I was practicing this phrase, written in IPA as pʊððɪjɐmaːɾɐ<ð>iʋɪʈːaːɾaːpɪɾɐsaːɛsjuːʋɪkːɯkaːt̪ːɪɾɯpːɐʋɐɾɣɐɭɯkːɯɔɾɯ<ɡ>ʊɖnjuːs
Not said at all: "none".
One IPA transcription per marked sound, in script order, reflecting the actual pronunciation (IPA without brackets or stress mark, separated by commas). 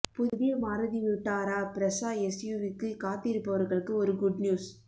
ð, ɡ